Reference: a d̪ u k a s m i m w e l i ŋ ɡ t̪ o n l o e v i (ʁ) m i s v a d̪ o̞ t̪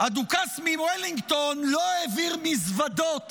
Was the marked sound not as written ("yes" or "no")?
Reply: no